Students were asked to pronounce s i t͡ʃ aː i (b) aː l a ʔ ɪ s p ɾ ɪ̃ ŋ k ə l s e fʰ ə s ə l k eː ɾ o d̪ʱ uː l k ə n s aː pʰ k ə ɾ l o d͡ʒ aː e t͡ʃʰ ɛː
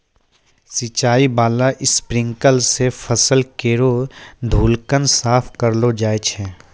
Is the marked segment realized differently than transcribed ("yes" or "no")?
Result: no